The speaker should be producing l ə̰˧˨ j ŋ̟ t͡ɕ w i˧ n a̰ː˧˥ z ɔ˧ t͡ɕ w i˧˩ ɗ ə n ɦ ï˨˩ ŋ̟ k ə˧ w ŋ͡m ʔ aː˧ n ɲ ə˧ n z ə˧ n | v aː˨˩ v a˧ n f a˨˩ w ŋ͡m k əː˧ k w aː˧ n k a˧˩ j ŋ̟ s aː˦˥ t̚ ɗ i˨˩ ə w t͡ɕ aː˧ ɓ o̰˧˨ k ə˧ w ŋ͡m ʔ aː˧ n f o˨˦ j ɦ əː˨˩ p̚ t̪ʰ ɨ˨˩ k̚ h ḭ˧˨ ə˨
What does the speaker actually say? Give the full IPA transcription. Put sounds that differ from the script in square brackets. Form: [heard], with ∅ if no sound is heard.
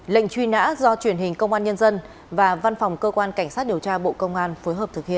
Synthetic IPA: l ə̰˧˨ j ŋ̟ t͡ɕ w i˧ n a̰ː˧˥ z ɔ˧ t͡ɕ w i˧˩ [∅] ə n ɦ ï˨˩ ŋ̟ k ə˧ w ŋ͡m ʔ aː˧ n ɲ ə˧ n z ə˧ n | v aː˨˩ v a˧ n f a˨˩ w ŋ͡m k əː˧ k w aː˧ n k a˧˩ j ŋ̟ s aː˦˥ t̚ ɗ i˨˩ ə w t͡ɕ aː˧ ɓ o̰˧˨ k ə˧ w ŋ͡m ʔ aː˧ n f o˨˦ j ɦ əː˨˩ p̚ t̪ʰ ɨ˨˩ k̚ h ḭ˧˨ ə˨